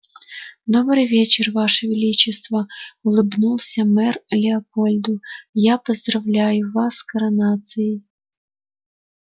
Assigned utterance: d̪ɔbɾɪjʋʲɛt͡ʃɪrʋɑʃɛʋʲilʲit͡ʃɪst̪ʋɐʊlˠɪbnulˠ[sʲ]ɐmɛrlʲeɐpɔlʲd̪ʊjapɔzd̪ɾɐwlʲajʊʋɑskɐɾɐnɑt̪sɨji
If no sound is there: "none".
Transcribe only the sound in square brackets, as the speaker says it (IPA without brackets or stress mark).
sʲ